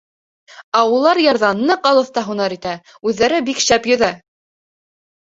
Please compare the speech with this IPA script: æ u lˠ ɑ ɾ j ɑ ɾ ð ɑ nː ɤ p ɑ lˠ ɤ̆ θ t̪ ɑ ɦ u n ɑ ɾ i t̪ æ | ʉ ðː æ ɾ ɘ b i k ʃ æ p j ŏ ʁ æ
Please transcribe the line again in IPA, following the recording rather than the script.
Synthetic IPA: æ u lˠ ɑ ɾ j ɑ ɾ ð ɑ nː ɤ q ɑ lˠ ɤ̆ θ t̪ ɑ ɦ u n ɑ ɾ i t̪ æ | ʉ ðː æ ɾ ɘ b i k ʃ æ p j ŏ ð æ